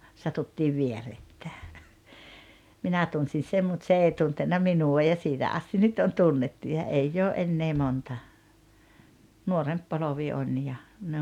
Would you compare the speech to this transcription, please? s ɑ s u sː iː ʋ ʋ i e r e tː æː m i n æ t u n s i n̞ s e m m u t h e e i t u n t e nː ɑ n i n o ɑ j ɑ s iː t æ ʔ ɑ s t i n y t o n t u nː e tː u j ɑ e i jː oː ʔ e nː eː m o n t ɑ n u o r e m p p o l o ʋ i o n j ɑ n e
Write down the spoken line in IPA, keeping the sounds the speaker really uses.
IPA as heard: s ɑ t u tː iː ʋ ʋ i e r e tː æː m i n æ t u n s i n̞ s e m m u t s e e i t u n t e nː ɑ m i n u ɑ j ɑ s iː t æ ʔ ɑ s t i n y t o n t u nː e tː u j ɑ e i jː oː ʔ e nː eː m o n t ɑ n u o r e m p p o l o ʋ i o n j ɑ n e